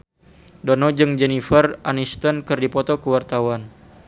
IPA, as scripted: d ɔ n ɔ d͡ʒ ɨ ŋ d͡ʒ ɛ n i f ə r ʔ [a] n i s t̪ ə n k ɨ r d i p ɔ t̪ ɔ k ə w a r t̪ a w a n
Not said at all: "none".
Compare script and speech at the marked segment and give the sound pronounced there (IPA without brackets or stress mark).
a